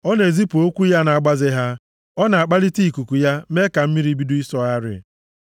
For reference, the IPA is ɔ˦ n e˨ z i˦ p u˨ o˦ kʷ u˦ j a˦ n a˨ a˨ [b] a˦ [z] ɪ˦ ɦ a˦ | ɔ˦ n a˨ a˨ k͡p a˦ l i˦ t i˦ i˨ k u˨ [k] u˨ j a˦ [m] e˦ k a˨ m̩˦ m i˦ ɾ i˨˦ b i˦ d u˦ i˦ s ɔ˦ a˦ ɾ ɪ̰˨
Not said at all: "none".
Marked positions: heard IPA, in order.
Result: ɡ͡b, z, k, m

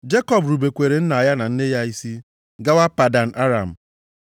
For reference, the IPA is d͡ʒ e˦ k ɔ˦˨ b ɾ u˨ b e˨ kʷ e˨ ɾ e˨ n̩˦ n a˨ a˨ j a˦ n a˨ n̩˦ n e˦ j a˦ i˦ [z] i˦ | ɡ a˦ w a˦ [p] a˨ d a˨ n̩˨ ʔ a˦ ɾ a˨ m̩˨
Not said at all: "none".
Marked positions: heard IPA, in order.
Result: s, p

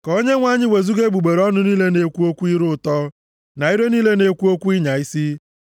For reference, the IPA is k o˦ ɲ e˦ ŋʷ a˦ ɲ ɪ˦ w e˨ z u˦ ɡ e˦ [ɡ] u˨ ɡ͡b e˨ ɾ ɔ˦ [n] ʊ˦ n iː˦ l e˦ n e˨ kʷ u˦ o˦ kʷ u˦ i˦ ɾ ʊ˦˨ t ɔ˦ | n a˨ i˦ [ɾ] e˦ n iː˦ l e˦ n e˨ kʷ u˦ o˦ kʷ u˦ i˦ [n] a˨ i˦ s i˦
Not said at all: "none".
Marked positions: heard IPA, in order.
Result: ɡ͡b, n, ɾ, ɲ

